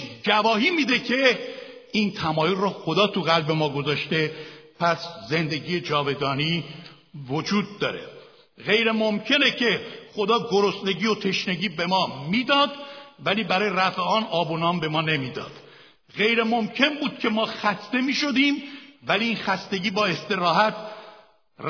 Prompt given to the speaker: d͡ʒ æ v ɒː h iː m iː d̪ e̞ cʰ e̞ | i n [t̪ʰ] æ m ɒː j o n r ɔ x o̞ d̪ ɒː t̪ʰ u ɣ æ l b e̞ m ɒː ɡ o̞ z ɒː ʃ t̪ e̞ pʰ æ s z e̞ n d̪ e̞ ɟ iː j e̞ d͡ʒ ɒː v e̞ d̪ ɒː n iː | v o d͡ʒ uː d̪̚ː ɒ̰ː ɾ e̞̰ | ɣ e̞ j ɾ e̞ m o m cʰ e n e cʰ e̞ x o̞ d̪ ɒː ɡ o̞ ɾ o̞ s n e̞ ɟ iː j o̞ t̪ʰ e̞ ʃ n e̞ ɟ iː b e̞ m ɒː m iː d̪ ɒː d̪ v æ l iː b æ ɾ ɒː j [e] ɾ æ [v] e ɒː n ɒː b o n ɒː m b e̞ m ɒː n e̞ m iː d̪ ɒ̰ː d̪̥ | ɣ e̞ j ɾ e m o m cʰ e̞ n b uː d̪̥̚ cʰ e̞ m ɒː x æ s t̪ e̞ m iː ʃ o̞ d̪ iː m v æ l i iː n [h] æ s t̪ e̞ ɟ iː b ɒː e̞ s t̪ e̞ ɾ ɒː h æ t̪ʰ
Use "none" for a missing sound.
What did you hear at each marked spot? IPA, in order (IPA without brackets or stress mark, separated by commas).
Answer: t̪ʰ, e, f, x